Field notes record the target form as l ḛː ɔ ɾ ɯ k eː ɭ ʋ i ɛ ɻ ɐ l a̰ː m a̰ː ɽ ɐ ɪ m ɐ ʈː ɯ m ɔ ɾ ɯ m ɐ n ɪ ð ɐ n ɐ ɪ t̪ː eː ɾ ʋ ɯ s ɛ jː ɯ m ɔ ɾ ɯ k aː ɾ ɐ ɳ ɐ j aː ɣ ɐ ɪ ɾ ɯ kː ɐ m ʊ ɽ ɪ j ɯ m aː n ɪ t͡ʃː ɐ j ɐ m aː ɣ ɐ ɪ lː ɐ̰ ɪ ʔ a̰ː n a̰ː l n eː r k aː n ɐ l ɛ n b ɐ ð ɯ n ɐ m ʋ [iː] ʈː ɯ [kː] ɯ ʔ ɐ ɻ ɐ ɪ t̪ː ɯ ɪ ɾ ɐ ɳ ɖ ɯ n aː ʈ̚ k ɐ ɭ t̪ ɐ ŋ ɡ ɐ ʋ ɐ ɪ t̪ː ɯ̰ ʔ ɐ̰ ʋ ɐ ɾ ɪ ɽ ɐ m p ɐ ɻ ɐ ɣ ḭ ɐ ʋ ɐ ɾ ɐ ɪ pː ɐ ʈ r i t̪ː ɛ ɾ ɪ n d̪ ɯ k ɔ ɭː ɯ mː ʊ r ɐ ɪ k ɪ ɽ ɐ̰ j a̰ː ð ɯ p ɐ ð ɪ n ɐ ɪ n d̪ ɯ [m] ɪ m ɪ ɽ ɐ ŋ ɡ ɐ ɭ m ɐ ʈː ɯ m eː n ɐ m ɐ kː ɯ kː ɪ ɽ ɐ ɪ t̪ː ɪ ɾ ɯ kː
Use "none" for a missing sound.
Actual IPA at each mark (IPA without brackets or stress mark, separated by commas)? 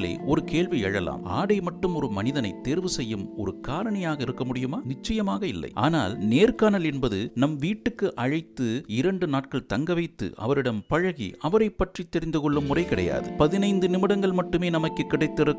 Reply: iː, kː, n